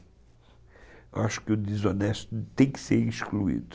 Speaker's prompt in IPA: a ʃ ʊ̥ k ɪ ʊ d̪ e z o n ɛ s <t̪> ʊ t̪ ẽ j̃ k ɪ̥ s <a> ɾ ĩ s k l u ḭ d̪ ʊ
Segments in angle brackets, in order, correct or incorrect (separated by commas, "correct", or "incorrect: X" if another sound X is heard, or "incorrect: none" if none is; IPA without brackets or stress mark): correct, incorrect: e